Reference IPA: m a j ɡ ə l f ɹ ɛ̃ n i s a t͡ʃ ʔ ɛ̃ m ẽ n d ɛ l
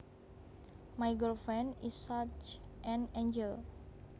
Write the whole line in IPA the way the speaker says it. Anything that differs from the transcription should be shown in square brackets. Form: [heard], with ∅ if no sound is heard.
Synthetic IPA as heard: m a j ɡ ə l f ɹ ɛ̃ n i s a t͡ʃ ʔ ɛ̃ [n] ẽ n [d͡ʒ] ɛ l